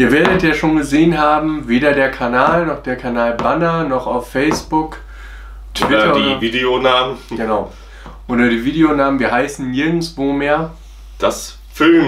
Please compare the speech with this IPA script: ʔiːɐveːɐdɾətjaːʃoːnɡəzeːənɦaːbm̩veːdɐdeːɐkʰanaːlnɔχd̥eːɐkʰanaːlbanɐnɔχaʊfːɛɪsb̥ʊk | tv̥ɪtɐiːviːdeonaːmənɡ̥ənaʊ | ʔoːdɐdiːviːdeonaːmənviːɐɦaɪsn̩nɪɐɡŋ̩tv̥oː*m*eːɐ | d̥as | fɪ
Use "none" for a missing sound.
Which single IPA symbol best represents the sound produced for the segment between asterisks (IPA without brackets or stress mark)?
m